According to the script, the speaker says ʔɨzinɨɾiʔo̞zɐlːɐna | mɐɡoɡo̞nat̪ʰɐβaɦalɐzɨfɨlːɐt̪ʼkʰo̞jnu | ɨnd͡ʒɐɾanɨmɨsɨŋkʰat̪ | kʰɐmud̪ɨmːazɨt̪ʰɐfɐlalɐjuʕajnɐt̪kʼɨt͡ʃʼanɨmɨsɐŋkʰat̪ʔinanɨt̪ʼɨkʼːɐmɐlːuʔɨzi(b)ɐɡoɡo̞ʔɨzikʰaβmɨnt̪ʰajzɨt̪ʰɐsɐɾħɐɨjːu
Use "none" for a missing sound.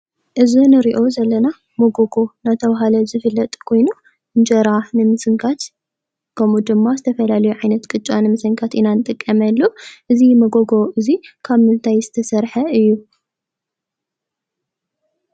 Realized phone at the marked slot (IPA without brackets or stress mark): m